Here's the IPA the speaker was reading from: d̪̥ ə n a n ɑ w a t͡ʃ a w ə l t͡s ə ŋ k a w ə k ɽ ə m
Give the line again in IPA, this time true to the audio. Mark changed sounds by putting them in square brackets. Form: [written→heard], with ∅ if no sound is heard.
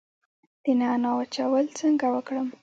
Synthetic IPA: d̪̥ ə n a n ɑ w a t͡ʃ a w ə l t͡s ə ŋ [k→ɡ] a w ə k ɽ ə m